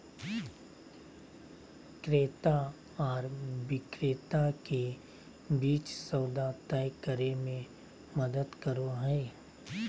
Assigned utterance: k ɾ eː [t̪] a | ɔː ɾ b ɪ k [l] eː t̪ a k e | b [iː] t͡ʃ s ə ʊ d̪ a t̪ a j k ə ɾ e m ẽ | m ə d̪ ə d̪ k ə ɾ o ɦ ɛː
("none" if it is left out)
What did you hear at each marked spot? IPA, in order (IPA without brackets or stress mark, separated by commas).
t̪, ɾ, iː